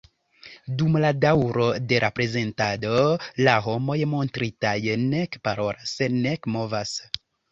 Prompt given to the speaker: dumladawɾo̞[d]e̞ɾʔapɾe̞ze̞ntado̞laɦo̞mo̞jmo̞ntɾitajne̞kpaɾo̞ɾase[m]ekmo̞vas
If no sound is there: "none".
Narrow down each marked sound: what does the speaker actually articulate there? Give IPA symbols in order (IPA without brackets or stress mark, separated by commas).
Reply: d, n